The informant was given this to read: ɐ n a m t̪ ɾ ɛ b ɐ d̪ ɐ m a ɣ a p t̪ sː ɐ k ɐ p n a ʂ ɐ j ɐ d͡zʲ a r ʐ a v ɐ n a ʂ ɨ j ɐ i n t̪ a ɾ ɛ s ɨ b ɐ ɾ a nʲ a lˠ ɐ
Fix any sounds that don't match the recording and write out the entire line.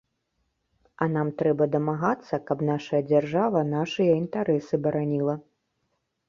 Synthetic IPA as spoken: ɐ n a m t̪ ɾ ɛ b ɐ d̪ ɐ m a ɣ a t̪ sː ɐ k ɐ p n a ʂ ɐ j ɐ d͡zʲ a r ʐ a v ɐ n a ʂ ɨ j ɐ i n t̪ a ɾ ɛ s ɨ b ɐ ɾ a nʲ i lˠ ɐ